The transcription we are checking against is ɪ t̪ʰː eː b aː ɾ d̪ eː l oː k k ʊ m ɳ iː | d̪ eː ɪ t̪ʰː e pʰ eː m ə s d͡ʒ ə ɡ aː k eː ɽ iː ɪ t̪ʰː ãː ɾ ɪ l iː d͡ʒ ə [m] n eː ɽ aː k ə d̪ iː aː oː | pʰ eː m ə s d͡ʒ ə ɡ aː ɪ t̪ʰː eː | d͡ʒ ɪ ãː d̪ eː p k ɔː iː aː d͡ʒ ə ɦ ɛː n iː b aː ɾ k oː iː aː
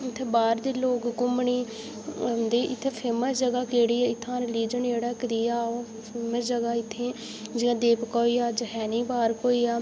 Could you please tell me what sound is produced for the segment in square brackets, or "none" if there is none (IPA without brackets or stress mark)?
none